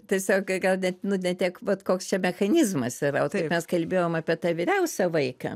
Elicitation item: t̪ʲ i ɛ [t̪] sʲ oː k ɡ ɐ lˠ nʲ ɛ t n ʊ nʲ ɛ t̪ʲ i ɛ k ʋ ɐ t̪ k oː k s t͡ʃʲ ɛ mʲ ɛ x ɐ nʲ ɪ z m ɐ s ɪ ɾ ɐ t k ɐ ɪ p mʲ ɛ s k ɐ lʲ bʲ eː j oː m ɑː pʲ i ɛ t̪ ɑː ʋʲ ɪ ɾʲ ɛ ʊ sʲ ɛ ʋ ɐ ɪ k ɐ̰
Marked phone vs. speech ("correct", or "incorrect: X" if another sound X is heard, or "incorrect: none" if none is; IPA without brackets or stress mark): incorrect: none